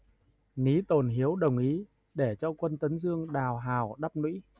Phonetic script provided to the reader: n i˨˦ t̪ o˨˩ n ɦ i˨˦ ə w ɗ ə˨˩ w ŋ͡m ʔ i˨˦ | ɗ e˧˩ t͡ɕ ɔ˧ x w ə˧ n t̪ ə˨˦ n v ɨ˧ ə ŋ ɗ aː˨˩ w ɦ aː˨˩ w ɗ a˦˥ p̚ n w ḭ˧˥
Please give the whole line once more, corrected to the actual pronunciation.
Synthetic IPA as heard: n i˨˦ t̪ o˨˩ n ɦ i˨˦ ə w ɗ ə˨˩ w ŋ͡m ʔ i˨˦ | ɗ e˧˩ t͡ɕ ɔ˧ k w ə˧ n t̪ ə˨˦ n z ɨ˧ ə ŋ ɗ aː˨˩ w ɦ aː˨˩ w ɗ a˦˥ p̚ n w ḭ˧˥

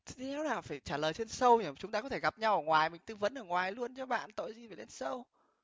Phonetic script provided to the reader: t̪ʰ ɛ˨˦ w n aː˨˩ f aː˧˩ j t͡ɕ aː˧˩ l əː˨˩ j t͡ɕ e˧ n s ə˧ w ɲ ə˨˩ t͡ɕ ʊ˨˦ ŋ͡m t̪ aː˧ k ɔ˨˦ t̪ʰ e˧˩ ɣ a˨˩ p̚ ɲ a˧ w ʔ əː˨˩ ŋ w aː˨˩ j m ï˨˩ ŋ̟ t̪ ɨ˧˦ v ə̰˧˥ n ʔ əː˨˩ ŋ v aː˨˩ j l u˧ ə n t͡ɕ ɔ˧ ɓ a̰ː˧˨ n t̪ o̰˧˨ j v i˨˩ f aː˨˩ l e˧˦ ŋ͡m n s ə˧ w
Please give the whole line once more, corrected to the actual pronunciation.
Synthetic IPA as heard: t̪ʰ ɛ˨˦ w n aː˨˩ f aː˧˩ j t͡ɕ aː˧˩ l əː˨˩ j t͡ɕ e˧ n s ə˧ w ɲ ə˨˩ t͡ɕ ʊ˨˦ ŋ͡m t̪ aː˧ k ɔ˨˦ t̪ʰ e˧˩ ɣ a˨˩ p̚ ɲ a˧ w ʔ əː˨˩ ŋ w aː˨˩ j m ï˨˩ ŋ̟ t̪ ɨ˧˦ v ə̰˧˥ n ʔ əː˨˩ ŋ w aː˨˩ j l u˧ ə n t͡ɕ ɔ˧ ɓ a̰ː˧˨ n t̪ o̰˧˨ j z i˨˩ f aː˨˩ l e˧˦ n s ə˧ w

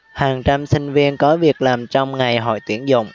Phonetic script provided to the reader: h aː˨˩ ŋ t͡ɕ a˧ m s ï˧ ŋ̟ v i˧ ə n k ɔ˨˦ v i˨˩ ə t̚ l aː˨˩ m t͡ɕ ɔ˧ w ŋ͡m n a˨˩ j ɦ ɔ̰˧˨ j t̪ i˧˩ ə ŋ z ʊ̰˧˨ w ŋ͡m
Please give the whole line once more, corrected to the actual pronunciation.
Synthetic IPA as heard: h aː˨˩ ŋ t͡ɕ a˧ m s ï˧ ŋ̟ v i˧ ə n k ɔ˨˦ v i˨˩ ə k̚ l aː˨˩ m t͡ɕ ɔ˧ w ŋ͡m ŋ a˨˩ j ɦ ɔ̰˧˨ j t̪ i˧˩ ə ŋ z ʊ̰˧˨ w ŋ͡m

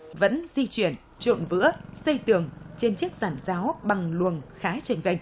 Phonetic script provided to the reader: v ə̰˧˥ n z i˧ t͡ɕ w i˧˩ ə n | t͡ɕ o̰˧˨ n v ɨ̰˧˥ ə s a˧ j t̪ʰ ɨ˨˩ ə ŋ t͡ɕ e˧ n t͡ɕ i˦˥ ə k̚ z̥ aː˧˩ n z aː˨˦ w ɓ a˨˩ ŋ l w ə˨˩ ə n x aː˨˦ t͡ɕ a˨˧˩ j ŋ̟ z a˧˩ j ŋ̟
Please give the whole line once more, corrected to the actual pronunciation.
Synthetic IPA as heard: v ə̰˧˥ n z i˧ t͡ɕ w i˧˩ ə n | t͡ɕ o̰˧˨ n v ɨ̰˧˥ ə s ə˧ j t̪ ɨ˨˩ ə ŋ t͡ɕ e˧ n t͡ɕ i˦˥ ə k̚ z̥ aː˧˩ n z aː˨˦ w ɓ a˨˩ ŋ l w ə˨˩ ə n x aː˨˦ t͡ɕ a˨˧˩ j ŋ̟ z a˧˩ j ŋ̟

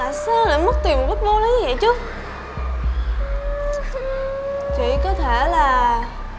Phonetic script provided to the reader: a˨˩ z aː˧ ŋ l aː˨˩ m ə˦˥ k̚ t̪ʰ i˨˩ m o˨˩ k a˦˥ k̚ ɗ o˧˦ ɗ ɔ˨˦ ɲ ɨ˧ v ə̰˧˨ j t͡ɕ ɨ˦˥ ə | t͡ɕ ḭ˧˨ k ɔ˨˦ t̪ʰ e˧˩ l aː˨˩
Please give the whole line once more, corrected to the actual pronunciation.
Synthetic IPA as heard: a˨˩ s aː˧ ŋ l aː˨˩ m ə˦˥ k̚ t̪ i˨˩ m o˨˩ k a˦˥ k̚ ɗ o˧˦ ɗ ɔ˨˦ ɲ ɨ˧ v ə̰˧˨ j t͡ɕ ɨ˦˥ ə | t͡ɕ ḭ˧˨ k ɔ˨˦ t̪ʰ e˧˩ l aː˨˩

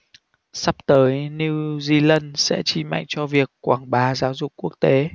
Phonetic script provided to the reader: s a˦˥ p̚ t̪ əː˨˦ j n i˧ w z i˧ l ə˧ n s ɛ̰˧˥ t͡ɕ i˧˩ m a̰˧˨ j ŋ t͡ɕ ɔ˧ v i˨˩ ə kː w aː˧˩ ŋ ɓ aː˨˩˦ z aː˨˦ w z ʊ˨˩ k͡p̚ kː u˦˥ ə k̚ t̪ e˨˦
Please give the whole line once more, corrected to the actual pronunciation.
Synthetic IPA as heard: s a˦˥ p̚ t̪ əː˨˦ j n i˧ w z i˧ l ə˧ n s ɛ̰˧˥ t͡ɕ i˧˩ m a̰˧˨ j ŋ t͡ɕ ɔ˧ v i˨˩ ə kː w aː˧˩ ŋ ɓ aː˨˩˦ z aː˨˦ w z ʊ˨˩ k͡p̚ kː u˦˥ ə k̚ t̪ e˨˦

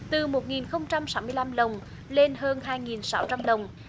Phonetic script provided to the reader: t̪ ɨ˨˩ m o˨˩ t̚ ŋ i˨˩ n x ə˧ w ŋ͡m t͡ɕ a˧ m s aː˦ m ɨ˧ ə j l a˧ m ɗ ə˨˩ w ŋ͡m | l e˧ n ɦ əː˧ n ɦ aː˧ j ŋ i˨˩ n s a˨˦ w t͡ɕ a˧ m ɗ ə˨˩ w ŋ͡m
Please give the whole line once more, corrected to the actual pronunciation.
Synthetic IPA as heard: t̪ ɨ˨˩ m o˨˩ t̚ ŋ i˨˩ n x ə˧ w ŋ͡m t͡ɕ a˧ m s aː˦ m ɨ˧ ə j l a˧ m ɗ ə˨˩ w ŋ͡m | l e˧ n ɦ əː˧ n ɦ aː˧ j ŋ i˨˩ n s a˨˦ w t͡ɕ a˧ m ɗ ə˨˩ w ŋ͡m

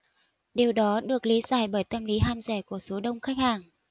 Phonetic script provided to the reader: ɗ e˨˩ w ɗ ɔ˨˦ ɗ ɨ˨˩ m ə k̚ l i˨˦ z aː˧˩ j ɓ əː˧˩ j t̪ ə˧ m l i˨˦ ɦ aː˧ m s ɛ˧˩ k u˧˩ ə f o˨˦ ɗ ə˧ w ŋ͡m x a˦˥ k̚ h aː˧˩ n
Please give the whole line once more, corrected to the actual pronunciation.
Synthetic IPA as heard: ɗ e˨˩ w ɗ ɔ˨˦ ɗ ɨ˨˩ ə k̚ l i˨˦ z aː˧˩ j ɓ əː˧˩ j t̪ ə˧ m l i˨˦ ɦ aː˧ m z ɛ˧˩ k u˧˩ ə s o˨˦ ɗ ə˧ w ŋ͡m x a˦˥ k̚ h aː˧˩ ŋ

